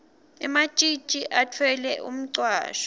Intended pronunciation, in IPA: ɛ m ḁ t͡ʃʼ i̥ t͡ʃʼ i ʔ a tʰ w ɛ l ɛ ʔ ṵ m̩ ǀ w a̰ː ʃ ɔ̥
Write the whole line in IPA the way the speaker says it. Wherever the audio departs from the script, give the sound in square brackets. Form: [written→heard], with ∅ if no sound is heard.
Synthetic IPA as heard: ɛ m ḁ t͡ʃʼ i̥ t͡ʃʼ i ʔ a tʰ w ɛ l ɛ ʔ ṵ m̩ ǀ w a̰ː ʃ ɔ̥